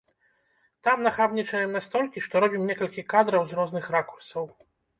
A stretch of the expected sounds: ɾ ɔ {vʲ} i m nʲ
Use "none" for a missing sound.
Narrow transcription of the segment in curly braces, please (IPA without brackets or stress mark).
bʲ